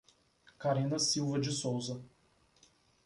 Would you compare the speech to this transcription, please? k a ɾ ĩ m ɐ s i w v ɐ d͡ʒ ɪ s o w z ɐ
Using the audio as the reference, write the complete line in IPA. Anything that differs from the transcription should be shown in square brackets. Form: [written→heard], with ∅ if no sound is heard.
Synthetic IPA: k a ɾ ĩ [m→n] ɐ s i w v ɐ d͡ʒ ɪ s o w z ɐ